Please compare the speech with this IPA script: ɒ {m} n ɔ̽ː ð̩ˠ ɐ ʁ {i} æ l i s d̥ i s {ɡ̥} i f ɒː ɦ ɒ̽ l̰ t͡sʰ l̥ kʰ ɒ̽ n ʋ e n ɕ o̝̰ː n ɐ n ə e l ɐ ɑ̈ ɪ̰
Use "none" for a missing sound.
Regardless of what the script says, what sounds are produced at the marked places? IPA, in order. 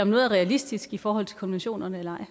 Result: m, ɛ, ɡ̥

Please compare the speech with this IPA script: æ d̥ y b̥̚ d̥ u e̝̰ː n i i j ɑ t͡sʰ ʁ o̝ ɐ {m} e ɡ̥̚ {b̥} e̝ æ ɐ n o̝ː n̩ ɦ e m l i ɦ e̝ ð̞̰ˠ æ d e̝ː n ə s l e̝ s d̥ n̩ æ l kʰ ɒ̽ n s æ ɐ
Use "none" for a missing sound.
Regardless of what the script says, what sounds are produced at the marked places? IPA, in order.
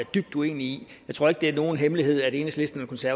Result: none, d̥

